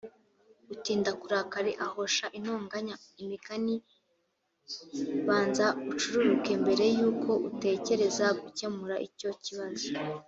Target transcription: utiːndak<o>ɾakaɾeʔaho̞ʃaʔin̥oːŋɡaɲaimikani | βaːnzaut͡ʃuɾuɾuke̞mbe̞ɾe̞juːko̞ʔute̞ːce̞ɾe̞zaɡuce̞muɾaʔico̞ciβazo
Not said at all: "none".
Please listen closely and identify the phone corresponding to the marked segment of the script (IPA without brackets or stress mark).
u